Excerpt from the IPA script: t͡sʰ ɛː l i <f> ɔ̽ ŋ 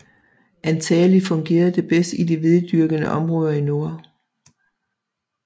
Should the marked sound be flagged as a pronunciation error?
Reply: no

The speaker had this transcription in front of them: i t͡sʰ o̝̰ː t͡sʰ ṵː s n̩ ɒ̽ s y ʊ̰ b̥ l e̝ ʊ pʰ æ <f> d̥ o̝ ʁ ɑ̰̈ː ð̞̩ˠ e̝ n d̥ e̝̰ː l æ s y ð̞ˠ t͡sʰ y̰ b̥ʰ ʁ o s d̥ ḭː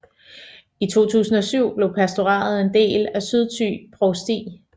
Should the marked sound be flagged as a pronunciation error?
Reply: yes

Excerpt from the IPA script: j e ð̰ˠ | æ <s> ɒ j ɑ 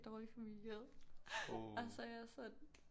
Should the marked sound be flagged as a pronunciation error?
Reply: no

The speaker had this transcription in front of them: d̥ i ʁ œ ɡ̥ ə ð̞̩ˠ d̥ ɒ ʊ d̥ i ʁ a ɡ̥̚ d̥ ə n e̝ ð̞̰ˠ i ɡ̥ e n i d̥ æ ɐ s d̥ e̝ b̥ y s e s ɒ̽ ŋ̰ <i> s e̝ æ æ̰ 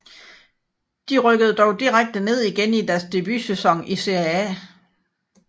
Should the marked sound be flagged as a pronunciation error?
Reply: no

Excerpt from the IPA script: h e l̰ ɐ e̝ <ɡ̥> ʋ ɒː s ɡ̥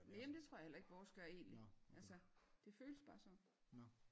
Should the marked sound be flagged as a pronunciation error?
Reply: no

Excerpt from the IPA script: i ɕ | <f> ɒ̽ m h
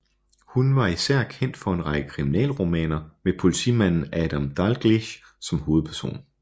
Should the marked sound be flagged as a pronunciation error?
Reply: yes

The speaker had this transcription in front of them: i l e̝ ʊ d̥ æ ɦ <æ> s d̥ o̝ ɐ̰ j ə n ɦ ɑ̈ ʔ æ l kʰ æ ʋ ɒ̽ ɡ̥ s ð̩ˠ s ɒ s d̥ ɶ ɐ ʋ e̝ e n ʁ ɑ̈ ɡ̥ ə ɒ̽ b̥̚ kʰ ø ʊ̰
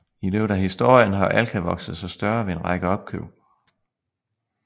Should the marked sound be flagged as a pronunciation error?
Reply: yes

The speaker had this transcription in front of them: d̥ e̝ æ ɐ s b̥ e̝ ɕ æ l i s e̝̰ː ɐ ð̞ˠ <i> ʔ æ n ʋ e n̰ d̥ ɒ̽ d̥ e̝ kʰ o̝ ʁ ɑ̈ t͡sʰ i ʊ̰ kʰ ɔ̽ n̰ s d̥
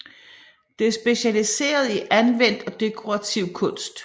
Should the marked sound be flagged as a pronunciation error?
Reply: no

